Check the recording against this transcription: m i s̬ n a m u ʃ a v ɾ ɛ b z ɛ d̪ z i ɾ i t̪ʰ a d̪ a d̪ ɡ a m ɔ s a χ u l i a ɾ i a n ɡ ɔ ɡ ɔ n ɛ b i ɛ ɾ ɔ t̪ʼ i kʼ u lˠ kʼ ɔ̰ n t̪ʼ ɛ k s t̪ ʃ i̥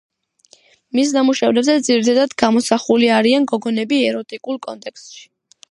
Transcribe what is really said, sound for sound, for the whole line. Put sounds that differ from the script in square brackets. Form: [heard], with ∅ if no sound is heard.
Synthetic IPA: m i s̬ n a m u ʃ a v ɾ ɛ b z ɛ d̪ z i ɾ i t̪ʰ a d̪ a d̪ ɡ a m ɔ s a χ u l i a ɾ i a n ɡ ɔ ɡ ɔ n ɛ b i ɛ ɾ ɔ t̪ʼ i kʼ u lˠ kʼ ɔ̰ n t̪ʼ ɛ k s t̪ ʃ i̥